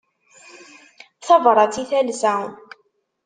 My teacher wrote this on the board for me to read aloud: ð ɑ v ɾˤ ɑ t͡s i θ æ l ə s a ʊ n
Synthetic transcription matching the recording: θ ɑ v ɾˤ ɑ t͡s i θ æ l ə s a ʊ n